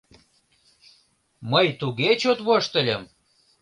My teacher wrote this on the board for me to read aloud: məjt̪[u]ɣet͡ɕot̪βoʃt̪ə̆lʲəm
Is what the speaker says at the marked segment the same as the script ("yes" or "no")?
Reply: yes